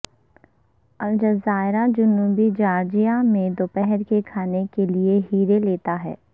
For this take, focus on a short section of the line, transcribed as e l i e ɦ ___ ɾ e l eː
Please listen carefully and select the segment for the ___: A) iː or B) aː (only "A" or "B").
A